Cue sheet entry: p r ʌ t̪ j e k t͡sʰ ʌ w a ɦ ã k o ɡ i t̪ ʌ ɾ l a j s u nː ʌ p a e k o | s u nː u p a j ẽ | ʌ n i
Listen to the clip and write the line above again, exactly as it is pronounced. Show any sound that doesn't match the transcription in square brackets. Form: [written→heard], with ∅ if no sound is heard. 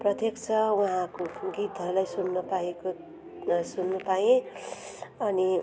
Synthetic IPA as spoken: p r ʌ t̪ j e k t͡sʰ ʌ w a ɦ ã k o ɡ i t̪ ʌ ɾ l a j s u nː ʌ p a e k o | s u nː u p a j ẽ | ʌ n i